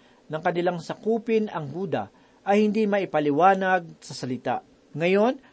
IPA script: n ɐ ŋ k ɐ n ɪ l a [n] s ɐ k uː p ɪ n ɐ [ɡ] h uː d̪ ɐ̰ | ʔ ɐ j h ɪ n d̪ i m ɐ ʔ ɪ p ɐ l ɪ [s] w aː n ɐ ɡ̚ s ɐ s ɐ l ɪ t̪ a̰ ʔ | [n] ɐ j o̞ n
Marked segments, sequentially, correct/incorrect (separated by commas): incorrect, incorrect, incorrect, incorrect